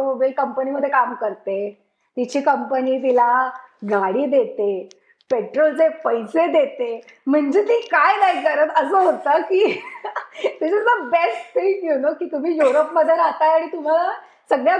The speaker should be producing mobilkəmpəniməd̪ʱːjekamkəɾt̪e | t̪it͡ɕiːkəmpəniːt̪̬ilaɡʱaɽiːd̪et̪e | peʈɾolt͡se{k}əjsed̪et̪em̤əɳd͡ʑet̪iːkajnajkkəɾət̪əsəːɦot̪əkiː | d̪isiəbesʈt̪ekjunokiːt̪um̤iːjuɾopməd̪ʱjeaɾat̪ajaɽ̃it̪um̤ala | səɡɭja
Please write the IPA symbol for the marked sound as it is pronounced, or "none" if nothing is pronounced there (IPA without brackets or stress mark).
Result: p